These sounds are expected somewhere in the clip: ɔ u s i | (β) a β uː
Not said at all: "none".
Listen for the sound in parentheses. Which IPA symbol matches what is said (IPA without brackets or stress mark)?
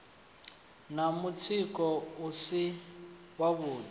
w